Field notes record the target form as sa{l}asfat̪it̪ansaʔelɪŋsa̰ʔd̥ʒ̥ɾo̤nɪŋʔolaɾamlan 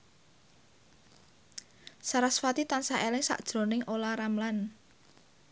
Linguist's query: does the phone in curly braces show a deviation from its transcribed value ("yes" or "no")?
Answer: yes